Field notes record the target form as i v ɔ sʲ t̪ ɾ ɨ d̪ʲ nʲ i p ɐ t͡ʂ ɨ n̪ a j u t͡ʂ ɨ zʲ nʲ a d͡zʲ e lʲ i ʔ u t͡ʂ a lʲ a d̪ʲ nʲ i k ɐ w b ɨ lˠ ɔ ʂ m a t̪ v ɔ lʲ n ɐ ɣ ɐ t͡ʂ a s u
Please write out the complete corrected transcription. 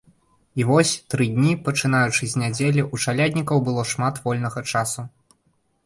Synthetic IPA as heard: i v ɔ sʲ t̪ ɾ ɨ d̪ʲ nʲ i p ɐ t͡ʂ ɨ n̪ a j u t͡ʂ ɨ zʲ nʲ a d͡zʲ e lʲ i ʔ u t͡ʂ a lʲ a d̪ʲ nʲ i k ɐ w b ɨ lˠ ɔ ʂ m a t̪ v ɔ lʲ n ɐ ɣ ɐ t͡ʂ a s u